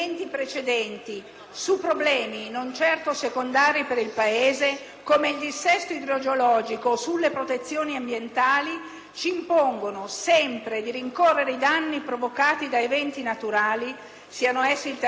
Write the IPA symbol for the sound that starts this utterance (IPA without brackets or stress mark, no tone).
n